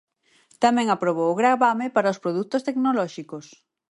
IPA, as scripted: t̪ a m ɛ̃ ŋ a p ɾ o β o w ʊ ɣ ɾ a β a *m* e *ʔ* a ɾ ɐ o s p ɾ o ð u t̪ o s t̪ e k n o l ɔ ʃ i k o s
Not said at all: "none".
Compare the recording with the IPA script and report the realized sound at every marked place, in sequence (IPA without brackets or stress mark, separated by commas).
m, p